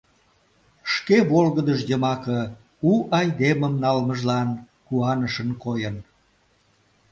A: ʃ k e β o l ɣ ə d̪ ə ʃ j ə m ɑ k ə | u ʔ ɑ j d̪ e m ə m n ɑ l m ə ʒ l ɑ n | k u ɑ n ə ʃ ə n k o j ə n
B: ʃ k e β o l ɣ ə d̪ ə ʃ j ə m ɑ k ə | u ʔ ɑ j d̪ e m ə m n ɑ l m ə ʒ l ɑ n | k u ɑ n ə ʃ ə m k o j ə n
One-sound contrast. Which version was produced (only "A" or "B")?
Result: A